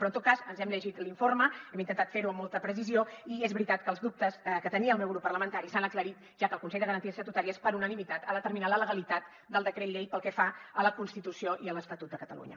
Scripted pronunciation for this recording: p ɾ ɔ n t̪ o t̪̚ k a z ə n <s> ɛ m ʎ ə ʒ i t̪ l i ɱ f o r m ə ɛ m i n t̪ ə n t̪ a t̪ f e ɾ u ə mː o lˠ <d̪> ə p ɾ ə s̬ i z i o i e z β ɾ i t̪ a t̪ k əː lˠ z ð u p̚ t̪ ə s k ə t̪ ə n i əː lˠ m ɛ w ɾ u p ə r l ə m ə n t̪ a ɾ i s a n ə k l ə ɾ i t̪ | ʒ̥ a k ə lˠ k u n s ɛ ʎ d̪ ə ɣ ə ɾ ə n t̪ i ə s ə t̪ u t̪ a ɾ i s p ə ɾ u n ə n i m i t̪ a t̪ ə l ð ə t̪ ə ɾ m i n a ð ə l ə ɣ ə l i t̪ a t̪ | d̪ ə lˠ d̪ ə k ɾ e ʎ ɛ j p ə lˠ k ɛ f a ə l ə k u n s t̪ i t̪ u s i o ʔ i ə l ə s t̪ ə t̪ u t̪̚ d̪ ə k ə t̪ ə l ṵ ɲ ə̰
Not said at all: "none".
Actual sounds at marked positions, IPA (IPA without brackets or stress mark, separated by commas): z, t̪